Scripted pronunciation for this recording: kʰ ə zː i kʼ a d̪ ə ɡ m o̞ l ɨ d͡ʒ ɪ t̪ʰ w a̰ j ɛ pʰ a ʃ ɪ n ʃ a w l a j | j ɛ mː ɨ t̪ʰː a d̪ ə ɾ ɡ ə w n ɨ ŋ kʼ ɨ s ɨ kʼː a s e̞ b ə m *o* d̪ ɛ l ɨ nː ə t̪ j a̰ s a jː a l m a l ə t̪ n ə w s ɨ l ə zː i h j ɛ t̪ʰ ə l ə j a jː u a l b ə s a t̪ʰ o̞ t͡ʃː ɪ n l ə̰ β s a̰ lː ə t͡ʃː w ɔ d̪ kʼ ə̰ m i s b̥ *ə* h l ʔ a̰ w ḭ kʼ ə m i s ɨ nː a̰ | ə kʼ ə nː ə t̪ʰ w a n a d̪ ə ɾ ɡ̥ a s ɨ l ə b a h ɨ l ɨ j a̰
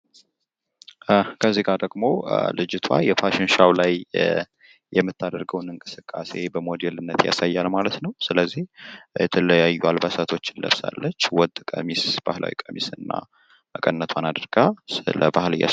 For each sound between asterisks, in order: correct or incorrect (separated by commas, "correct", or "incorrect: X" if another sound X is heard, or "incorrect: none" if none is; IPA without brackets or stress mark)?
correct, incorrect: a